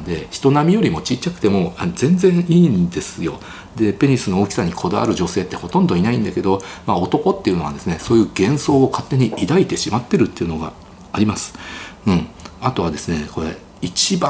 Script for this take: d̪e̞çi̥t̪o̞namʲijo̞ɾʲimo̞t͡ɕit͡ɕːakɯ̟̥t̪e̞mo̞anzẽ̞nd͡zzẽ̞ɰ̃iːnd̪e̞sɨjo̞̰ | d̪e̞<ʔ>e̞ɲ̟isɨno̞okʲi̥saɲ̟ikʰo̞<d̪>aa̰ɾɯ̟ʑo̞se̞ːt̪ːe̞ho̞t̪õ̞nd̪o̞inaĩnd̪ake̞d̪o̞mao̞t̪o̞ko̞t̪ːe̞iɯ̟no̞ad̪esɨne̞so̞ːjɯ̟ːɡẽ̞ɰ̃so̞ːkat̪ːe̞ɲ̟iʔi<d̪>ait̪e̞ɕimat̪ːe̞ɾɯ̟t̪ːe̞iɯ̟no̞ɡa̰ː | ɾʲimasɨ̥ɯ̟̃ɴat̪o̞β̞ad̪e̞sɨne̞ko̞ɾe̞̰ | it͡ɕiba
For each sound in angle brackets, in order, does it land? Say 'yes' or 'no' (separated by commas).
no, yes, yes